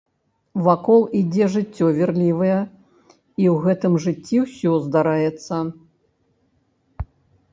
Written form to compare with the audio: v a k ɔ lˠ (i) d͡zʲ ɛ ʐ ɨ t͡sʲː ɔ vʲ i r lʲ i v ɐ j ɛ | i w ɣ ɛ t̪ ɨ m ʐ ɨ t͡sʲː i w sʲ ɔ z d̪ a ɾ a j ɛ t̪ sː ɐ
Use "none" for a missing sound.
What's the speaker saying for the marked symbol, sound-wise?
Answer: i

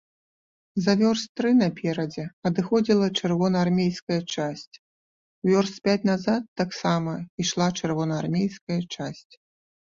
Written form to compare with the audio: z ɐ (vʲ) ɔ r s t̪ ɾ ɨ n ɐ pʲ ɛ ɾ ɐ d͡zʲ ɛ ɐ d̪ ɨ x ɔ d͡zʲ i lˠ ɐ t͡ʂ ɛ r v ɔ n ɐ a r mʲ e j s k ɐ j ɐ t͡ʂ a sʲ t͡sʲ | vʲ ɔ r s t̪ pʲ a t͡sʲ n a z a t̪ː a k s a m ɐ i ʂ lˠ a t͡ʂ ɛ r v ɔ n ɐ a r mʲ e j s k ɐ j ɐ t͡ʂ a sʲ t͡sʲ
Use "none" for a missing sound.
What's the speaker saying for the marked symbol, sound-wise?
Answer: vʲ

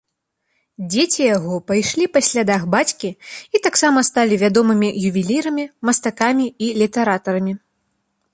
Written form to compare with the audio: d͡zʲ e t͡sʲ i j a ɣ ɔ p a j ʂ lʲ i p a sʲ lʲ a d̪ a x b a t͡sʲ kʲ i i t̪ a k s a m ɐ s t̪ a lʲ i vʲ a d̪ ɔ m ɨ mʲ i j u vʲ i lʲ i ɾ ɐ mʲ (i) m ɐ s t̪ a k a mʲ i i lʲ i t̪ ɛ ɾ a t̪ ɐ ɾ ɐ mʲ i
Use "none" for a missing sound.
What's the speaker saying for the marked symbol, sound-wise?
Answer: i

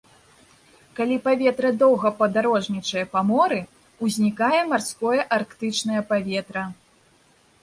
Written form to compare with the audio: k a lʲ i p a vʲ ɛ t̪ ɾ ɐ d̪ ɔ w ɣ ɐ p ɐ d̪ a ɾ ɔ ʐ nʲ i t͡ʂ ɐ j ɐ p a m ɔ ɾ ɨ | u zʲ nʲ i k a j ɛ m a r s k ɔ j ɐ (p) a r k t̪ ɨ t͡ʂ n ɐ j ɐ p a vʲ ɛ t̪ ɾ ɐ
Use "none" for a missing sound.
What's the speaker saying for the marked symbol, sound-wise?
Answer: ʔ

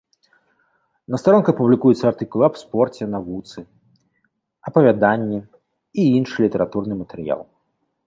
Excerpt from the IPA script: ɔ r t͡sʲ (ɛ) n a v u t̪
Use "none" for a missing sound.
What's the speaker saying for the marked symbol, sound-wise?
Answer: ɛ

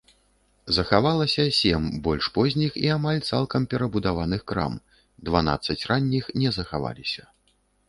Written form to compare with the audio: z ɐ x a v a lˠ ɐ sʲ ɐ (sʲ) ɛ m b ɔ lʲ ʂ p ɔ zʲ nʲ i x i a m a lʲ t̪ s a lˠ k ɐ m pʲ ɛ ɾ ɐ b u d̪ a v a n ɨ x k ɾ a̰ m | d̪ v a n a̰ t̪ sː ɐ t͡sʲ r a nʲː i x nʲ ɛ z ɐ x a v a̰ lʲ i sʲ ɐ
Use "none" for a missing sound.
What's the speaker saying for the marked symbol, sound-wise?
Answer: sʲ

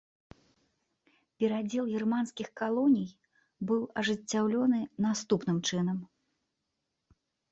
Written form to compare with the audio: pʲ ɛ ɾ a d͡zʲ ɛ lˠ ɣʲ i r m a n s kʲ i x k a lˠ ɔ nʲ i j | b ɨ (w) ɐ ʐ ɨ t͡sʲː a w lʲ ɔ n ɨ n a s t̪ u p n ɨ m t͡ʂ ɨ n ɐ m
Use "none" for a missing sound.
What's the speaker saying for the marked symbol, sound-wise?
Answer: w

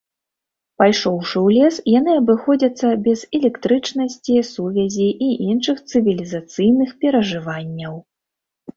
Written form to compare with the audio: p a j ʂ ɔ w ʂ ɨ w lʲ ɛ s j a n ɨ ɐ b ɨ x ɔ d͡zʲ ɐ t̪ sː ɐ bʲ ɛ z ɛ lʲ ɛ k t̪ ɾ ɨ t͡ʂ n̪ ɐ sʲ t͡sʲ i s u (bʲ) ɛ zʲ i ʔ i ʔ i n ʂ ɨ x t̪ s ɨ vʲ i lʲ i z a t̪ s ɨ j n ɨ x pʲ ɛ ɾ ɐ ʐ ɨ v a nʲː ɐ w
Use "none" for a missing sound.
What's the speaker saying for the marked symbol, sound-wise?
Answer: vʲ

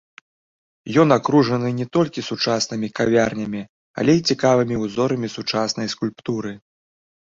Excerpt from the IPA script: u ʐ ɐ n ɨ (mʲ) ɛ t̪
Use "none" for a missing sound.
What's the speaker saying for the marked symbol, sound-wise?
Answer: nʲ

